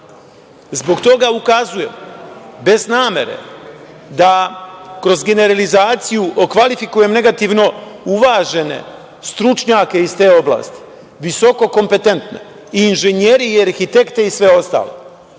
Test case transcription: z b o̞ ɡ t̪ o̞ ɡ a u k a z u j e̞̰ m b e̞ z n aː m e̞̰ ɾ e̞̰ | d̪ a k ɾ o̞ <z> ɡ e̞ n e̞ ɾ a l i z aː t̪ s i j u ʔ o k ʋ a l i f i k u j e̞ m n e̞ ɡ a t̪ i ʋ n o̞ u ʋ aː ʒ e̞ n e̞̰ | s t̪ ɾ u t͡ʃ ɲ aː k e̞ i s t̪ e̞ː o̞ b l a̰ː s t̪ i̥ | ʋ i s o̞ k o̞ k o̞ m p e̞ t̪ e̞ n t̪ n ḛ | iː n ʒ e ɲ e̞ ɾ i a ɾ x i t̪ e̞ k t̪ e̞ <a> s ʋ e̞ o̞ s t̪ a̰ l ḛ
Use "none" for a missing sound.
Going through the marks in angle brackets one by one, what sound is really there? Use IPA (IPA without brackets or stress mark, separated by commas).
z, i